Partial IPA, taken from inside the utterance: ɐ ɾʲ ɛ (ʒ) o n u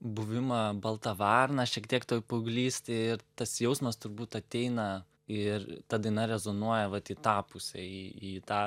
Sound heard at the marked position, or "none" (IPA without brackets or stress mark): z